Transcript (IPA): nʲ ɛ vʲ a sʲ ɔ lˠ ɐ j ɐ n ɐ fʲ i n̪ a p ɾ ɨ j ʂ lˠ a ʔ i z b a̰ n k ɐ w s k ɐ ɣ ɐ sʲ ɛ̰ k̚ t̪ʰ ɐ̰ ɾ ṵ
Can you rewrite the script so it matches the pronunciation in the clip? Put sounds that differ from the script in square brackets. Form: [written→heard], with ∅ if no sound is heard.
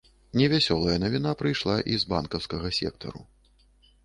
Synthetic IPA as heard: nʲ ɛ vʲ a sʲ ɔ lˠ ɐ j ɐ n ɐ [fʲ→vʲ] i n̪ a p ɾ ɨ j ʂ lˠ a ʔ i z b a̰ n k ɐ w s k ɐ ɣ ɐ sʲ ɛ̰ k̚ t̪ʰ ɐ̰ ɾ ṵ